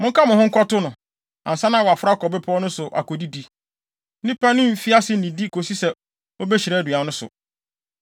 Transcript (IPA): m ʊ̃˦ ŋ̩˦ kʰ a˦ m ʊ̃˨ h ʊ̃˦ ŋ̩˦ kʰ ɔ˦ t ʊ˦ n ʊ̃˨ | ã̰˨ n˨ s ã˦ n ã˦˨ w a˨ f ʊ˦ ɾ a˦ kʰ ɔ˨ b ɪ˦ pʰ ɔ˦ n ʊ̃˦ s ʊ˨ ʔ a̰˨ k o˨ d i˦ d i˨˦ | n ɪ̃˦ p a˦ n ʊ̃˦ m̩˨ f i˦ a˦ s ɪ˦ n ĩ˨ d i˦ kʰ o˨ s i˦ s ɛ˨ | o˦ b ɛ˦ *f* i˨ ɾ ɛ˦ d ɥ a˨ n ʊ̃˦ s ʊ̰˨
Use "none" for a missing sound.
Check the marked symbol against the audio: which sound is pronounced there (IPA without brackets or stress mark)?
ɕ